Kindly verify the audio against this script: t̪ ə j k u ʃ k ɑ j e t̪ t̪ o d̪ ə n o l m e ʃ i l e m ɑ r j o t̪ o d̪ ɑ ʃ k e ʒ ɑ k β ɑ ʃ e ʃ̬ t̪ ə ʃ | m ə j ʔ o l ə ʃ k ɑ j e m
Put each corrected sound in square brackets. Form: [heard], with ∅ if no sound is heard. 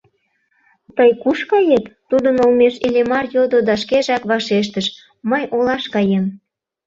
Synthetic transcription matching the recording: t̪ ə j k u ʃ k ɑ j e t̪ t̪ [u] d̪ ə n o l m e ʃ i l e m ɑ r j o [d̪] o d̪ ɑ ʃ k e ʒ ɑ k β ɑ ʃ e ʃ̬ t̪ ə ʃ | m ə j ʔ o l [ɑ] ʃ k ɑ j e m